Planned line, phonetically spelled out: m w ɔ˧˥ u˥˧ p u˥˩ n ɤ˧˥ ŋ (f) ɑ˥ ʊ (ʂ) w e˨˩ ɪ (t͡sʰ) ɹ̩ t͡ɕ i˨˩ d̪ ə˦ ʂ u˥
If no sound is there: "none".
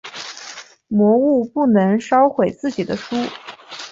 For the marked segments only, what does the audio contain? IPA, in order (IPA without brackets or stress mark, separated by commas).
ʂ, x, t͡s